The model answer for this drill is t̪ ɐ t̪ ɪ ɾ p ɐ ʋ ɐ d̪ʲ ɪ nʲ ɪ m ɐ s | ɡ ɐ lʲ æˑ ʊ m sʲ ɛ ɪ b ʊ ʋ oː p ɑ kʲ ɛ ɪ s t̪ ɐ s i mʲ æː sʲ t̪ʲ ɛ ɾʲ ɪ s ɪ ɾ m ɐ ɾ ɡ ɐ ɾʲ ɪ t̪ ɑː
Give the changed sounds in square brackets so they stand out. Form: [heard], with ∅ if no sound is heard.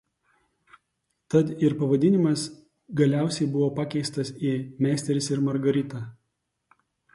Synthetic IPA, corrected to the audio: t̪ ɐ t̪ ɪ ɾ p ɐ ʋ ɐ d̪ʲ ɪ nʲ ɪ m ɐ s | ɡ ɐ lʲ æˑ ʊ [∅] sʲ ɛ ɪ b ʊ ʋ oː p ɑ kʲ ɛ ɪ s t̪ ɐ s i mʲ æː sʲ t̪ʲ ɛ ɾʲ ɪ s ɪ ɾ m ɐ ɾ ɡ ɐ ɾʲ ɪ t̪ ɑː